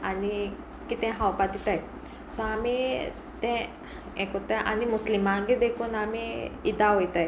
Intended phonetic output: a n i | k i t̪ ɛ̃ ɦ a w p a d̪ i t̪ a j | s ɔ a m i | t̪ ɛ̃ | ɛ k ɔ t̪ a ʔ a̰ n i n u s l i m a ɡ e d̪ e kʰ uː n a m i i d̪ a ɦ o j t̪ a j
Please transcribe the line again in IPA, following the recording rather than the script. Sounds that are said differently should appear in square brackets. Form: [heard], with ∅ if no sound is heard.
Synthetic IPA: a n i | k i t̪ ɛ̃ ɦ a w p a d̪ i t̪ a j | s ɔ a m i | t̪ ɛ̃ | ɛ k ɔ t̪ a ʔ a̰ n i [m] u s l i m a ɡ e d̪ e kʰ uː n a m i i d̪ a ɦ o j t̪ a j